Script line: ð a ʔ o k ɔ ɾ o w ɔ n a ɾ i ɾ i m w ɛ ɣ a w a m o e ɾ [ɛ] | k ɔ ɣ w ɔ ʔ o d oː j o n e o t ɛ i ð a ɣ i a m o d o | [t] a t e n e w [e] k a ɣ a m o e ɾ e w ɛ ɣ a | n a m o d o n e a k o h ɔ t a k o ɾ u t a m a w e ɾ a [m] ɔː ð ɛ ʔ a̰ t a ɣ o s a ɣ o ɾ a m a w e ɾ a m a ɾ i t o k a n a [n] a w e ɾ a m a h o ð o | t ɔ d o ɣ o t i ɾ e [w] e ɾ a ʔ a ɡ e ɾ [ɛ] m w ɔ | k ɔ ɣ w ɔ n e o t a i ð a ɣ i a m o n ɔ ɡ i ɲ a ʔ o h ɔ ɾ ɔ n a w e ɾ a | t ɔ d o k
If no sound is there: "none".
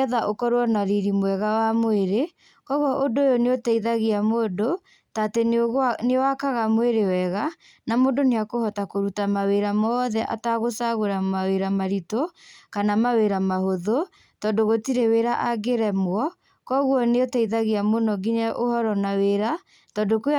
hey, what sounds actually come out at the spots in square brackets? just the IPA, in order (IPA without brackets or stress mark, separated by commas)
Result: e, t, a, m, m, w, ɛ